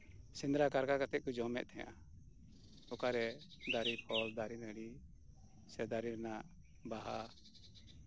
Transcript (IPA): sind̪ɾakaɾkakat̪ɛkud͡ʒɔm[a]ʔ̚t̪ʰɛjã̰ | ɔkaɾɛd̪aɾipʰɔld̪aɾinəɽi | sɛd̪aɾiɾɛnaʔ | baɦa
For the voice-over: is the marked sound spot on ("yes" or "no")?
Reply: no